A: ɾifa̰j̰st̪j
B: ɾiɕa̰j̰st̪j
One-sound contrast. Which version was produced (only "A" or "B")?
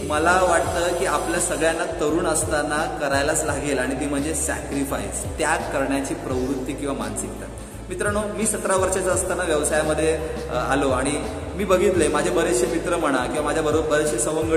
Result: A